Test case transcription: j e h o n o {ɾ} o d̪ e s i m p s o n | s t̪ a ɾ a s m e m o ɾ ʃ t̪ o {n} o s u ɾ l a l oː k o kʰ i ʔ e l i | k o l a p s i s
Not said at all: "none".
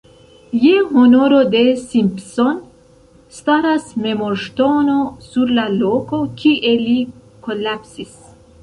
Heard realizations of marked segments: ɾ, n

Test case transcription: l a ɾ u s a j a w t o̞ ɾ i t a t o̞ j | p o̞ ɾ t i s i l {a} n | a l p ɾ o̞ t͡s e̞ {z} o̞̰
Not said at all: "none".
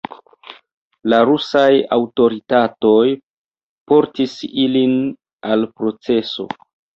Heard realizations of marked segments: i, s

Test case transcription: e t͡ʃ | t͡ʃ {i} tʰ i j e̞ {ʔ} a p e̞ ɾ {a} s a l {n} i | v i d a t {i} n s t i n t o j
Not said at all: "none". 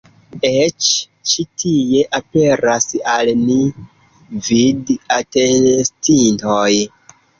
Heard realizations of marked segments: i, ʔ, a, n, e

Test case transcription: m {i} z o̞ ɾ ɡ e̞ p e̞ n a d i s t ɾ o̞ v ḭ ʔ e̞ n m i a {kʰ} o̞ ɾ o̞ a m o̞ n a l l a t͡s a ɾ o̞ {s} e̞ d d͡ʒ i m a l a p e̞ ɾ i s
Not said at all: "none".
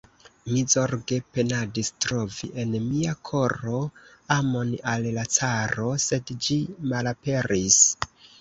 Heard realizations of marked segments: i, kʰ, s

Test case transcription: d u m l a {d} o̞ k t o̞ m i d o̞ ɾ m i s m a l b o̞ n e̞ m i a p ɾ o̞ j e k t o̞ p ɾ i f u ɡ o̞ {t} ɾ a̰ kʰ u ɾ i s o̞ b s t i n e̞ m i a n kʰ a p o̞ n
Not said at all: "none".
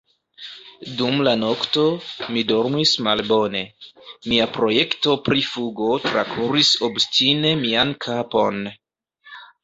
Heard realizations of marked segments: n, t

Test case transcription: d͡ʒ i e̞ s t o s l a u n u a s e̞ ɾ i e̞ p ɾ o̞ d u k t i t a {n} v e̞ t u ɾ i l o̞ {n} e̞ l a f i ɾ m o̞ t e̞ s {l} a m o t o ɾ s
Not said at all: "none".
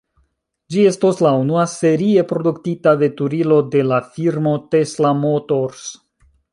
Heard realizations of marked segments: none, d, l

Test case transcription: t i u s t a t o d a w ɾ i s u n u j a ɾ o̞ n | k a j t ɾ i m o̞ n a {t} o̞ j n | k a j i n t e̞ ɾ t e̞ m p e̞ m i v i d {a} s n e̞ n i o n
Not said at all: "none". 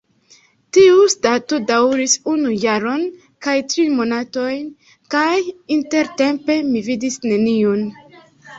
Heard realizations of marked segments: t, i

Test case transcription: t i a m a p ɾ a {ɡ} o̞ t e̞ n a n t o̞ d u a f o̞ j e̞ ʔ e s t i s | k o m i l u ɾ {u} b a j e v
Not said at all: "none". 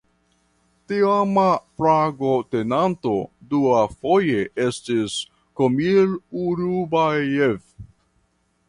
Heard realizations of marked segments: ɡ, u

